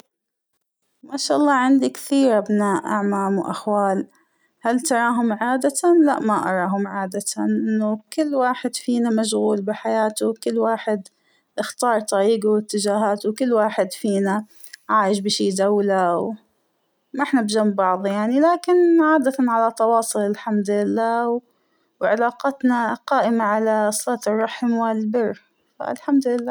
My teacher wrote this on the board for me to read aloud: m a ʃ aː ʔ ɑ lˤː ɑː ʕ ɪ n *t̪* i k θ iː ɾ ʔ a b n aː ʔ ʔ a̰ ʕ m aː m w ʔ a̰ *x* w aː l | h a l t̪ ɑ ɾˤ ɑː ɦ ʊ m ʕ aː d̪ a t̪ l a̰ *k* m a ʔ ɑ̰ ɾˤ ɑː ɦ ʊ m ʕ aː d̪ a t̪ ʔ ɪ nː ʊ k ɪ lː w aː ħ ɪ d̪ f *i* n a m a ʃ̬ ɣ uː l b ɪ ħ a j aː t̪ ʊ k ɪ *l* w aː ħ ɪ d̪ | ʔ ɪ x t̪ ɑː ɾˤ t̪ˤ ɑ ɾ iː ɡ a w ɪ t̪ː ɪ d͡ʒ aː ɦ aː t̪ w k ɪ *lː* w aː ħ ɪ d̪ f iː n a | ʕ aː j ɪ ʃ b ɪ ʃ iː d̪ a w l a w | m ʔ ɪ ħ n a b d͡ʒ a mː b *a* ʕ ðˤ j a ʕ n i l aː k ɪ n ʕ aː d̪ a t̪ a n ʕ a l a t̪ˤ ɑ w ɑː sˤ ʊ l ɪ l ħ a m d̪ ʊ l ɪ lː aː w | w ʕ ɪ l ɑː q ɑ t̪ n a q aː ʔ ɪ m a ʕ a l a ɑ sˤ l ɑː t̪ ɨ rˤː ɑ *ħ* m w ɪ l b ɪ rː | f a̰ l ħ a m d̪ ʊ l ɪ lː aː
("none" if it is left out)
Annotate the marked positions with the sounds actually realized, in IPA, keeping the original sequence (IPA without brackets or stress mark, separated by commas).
d̪, x, ʔ, iː, lː, lː, ɑ, ħ